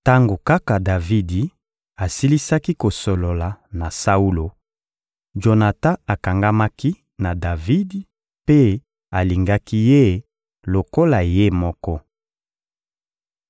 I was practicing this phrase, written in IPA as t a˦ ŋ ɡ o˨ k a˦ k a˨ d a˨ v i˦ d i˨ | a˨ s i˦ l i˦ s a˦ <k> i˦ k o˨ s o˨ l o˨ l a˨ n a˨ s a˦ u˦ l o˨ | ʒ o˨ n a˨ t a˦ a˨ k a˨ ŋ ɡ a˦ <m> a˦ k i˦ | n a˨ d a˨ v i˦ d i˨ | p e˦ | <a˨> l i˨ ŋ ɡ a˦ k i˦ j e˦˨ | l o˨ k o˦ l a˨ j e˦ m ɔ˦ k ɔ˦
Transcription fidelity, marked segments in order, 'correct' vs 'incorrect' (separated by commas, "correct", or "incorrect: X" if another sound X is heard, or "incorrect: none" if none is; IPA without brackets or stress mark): correct, correct, correct